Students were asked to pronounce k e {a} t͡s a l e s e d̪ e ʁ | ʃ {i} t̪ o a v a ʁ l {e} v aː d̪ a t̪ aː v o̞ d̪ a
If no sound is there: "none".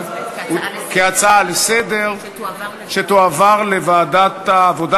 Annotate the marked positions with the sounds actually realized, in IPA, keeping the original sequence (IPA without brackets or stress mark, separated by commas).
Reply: a, e, e